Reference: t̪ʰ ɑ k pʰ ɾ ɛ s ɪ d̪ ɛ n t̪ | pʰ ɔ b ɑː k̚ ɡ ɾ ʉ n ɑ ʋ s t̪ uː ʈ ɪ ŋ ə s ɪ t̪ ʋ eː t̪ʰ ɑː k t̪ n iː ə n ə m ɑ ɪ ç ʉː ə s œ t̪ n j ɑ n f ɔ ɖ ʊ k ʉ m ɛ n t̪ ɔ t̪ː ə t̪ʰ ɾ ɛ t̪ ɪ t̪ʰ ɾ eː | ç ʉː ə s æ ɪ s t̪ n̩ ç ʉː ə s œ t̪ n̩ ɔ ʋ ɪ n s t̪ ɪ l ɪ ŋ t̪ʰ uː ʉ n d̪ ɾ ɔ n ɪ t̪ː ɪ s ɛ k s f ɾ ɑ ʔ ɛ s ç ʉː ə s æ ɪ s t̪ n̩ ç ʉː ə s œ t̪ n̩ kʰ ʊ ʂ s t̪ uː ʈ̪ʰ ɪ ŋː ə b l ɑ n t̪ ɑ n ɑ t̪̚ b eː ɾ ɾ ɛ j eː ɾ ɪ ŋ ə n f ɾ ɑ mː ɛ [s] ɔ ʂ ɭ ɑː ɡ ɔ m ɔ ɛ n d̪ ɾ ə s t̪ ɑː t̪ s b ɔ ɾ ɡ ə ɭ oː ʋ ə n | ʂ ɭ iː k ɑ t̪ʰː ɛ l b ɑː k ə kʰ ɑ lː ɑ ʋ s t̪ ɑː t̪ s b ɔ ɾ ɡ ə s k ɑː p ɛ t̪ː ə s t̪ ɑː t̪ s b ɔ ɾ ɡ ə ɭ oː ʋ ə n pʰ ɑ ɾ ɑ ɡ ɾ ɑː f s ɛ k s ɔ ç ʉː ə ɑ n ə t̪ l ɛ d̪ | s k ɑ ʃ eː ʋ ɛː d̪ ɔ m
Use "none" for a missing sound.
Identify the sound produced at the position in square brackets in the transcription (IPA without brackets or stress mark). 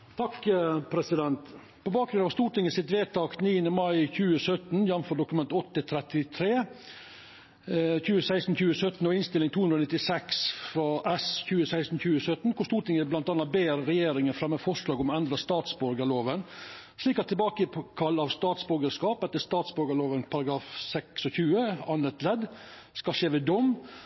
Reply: f